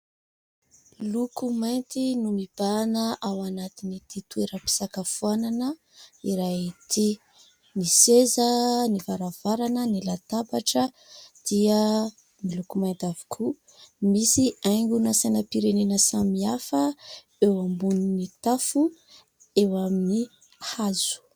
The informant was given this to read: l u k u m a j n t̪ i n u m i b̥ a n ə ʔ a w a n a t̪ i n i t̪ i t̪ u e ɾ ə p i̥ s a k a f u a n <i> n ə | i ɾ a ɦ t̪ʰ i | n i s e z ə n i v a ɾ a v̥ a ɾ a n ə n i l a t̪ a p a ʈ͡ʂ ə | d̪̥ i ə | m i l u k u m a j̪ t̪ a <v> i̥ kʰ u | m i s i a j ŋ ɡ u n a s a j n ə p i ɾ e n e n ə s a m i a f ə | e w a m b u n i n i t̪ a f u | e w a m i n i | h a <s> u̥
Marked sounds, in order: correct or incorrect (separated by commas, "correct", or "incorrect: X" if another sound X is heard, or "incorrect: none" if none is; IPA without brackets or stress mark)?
incorrect: a, correct, incorrect: z